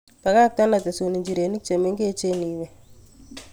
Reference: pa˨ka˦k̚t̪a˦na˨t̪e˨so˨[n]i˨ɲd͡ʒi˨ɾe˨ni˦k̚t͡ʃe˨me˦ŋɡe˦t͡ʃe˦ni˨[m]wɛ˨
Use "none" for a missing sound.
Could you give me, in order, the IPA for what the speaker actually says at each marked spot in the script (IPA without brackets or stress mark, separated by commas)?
n, none